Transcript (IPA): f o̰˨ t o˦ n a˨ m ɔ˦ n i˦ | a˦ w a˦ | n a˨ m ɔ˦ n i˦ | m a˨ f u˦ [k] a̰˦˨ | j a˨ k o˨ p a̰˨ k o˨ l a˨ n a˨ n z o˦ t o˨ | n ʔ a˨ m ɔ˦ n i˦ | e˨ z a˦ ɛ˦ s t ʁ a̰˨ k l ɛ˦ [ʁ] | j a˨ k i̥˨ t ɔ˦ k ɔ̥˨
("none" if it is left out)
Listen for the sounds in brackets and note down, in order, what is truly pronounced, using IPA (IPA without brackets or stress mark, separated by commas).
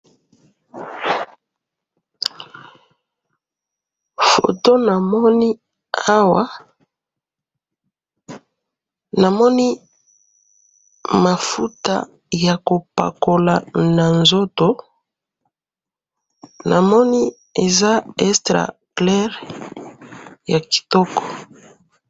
t, ʁ